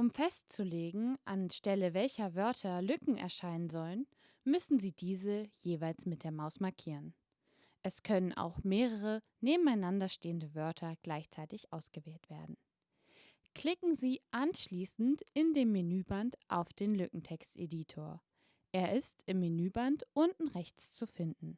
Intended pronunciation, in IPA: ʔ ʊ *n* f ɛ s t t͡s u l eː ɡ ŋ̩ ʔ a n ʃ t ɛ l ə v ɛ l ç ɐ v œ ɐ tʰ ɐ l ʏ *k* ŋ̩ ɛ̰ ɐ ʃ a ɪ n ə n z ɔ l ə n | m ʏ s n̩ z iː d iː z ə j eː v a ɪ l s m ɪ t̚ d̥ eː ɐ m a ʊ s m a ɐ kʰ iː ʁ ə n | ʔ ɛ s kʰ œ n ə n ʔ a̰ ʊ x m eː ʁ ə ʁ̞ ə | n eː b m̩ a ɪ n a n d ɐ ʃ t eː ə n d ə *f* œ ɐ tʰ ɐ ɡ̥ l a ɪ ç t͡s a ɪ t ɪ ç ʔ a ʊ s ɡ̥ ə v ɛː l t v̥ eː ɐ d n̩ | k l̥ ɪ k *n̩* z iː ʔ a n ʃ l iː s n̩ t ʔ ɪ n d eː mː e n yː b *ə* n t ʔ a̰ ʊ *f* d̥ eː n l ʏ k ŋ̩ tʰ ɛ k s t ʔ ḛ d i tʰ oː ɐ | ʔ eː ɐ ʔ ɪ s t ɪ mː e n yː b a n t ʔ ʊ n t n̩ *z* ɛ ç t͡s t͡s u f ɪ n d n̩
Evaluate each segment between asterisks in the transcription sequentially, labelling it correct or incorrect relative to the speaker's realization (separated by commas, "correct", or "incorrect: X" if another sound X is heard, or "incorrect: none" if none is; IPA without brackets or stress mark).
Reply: incorrect: m, correct, incorrect: v, incorrect: ŋ̩, incorrect: a, correct, incorrect: ʁ